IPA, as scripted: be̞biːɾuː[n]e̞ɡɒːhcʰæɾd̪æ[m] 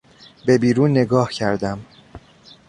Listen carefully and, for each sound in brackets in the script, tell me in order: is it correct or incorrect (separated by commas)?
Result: incorrect, correct